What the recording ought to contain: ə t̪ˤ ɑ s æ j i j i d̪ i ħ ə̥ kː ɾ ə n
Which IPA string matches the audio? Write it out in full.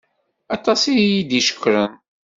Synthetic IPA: ɑ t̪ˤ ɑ s i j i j i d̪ i ʃ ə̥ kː ɾ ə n